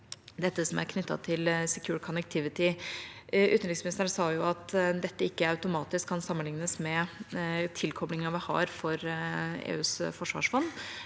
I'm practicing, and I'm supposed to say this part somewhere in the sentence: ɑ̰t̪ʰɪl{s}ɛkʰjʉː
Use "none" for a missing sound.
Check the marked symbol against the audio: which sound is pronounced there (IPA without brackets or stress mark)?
s